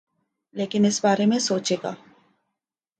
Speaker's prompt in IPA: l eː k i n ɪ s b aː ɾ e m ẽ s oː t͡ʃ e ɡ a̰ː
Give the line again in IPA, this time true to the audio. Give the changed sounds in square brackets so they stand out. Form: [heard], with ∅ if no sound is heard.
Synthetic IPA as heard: l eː k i n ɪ s b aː ɾ e m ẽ s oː t͡ʃ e ɡ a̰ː